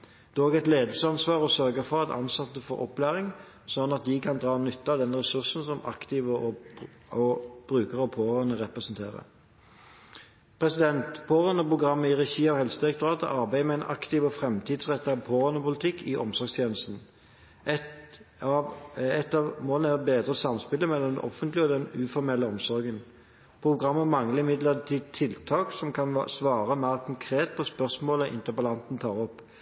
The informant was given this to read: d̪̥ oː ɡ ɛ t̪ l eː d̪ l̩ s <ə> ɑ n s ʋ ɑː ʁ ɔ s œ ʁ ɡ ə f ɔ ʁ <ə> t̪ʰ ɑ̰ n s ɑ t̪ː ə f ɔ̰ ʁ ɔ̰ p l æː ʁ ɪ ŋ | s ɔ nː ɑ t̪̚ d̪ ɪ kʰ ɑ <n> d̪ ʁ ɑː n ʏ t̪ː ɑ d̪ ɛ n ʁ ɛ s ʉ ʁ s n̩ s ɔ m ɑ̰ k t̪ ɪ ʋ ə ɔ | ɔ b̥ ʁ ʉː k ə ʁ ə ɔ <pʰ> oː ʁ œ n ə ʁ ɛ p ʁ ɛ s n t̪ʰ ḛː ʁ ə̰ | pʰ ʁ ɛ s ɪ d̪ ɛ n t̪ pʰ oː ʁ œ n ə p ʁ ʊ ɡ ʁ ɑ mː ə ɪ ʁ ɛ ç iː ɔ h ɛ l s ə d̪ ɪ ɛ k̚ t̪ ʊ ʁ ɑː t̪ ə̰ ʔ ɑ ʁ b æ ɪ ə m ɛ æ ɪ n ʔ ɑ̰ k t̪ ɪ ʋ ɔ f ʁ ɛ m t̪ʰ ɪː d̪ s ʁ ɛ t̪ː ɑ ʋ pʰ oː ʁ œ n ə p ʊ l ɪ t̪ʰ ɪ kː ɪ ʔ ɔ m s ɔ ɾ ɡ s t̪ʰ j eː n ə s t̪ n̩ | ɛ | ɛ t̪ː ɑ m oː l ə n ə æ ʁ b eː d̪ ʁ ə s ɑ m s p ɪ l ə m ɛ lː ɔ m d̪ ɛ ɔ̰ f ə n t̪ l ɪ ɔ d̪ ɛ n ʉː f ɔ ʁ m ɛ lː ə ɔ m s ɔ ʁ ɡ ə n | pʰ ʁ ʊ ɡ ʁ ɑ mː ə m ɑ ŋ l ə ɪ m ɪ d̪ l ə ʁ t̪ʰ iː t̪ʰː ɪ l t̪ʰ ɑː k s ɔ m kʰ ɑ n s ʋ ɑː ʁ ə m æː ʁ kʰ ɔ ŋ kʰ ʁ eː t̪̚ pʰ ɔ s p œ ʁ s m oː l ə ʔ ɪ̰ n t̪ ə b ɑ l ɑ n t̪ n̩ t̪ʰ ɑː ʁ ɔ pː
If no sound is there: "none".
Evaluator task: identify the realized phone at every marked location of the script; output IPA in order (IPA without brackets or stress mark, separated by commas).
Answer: ə, ɑ, n, pʰ